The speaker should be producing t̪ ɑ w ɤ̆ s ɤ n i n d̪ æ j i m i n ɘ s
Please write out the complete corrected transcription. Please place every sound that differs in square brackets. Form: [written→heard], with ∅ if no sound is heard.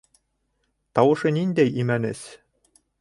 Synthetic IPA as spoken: t̪ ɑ w ɤ̆ [s→ʃ] ɤ n i n d̪ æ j i m [i→æ] n ɘ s